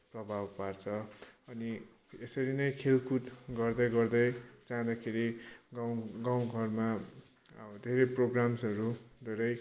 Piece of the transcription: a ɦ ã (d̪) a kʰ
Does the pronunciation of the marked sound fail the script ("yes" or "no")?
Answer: no